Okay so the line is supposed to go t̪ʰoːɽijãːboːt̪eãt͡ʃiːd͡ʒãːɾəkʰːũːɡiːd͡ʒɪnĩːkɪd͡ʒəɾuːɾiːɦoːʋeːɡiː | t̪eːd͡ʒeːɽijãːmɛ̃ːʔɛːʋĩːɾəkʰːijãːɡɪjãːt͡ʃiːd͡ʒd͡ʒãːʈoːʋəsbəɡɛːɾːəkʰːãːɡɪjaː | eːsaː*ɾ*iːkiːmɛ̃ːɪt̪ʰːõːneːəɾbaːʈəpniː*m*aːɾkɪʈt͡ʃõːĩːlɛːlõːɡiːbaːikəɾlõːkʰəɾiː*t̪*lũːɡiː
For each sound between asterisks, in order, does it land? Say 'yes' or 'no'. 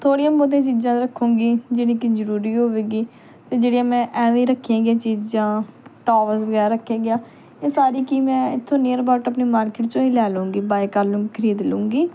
yes, yes, no

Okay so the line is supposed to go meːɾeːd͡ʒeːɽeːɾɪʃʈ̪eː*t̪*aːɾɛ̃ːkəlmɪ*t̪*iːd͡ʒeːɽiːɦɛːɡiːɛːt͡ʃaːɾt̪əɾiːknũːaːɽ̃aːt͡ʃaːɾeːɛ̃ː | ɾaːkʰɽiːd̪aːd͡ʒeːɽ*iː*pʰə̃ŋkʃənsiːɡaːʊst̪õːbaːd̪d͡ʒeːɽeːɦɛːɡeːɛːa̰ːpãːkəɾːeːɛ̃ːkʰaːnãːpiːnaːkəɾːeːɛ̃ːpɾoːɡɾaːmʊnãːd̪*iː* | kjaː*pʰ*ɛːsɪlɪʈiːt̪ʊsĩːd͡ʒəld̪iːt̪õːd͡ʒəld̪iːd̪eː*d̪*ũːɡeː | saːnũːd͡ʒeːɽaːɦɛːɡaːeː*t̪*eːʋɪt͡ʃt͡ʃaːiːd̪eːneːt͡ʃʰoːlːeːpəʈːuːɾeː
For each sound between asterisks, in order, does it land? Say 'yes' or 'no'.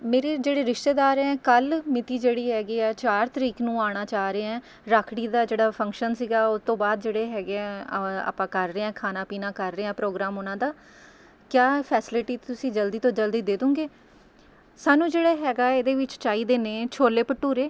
no, yes, no, no, yes, yes, no

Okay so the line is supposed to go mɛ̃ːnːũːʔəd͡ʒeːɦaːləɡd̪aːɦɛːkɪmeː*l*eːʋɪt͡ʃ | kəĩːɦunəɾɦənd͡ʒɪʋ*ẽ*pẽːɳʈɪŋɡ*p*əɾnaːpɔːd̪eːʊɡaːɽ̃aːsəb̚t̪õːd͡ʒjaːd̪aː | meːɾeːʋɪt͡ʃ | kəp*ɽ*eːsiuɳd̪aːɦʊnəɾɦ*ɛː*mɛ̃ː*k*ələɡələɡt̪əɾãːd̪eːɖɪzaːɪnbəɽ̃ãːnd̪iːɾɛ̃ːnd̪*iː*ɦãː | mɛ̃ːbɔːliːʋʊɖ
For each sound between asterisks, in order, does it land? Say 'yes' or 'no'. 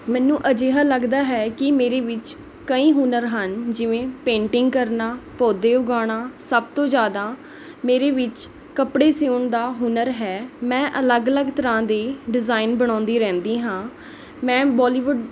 no, no, no, yes, yes, no, yes

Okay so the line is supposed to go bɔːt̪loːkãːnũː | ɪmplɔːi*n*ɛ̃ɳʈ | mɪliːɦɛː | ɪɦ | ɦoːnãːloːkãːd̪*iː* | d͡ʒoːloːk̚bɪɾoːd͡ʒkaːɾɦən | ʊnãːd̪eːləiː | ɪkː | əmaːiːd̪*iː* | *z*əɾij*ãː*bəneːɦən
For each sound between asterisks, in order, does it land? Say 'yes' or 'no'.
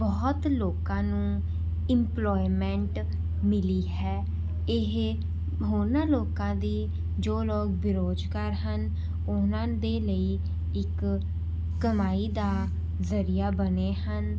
no, yes, no, yes, no

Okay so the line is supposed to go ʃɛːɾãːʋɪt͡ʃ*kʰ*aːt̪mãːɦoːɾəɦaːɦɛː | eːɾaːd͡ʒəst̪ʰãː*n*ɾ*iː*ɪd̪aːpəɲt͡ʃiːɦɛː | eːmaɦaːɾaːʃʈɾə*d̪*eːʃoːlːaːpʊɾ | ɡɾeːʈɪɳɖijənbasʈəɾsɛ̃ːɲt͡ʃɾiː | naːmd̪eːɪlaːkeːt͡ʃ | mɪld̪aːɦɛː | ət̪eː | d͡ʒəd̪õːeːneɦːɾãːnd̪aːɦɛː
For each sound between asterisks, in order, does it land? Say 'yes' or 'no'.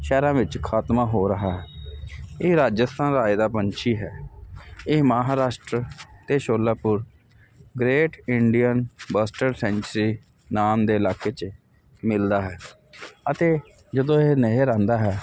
yes, yes, no, no

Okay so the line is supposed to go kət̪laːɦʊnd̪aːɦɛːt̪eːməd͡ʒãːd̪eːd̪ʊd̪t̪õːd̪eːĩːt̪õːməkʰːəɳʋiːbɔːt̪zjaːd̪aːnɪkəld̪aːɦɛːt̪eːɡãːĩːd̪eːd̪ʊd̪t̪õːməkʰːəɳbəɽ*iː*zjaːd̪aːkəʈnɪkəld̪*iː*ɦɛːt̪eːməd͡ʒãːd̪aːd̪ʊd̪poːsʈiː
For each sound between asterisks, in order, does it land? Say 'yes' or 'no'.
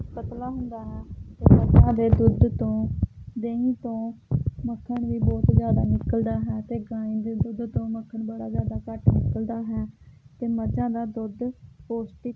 no, no

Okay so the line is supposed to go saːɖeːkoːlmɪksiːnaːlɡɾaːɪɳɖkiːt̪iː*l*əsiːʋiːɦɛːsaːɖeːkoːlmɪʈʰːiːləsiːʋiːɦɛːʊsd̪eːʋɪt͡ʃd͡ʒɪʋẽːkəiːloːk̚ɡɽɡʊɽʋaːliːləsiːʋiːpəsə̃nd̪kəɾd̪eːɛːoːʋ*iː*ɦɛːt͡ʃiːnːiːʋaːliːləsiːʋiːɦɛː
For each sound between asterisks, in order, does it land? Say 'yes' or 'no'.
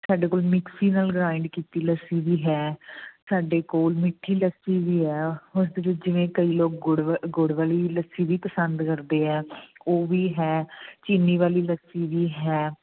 yes, yes

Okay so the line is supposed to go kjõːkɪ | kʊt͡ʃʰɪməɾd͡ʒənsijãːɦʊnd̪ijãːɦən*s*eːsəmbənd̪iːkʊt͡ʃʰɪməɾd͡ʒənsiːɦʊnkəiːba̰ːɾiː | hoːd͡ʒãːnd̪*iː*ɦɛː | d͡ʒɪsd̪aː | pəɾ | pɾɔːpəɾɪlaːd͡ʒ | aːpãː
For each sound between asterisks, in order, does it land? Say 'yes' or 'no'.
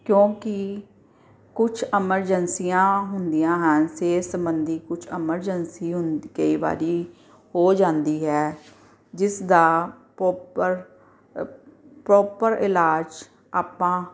yes, yes

